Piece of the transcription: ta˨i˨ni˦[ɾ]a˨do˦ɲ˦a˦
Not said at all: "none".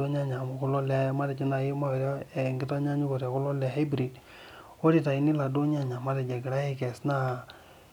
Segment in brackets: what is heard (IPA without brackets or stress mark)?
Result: l